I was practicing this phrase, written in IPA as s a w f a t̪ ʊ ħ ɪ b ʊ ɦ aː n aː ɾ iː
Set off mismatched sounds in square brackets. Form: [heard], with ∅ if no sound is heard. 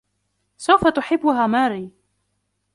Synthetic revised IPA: s a w f a t̪ ʊ ħ ɪ [bː] ʊ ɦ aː [m] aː ɾ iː